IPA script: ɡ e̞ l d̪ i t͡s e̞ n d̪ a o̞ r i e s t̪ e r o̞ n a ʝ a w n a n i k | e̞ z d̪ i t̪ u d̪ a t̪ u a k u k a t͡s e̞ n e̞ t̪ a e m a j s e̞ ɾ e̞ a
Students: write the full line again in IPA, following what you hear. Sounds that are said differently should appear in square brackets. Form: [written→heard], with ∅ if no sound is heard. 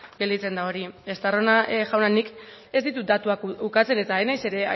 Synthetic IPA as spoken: ɡ e̞ l d̪ i t͡s e̞ n d̪ a o̞ [r→ɾ] i e s t̪ [e→a] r o̞ n a ʝ a w n a n i k | e̞ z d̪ i t̪ u d̪ a t̪ u a k u k a t͡s e̞ n e̞ t̪ a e [m→n] a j s e̞ ɾ e̞ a